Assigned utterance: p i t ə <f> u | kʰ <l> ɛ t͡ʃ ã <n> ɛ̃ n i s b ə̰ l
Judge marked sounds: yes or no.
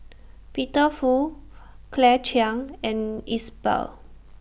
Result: yes, yes, no

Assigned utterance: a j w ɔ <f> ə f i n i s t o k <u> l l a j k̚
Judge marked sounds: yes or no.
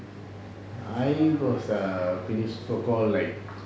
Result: no, no

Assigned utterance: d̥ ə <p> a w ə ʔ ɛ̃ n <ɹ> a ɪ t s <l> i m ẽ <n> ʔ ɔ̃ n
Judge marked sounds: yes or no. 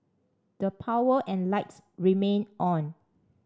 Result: no, no, no, yes

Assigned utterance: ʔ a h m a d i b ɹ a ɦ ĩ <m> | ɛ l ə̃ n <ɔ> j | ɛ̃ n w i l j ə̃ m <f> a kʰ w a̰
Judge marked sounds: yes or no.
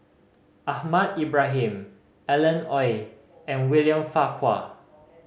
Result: yes, yes, yes

